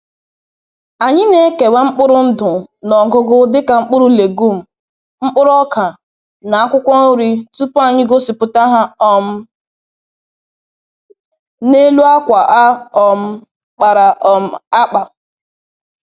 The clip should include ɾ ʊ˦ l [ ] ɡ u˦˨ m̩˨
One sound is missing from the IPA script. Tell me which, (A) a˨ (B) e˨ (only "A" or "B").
B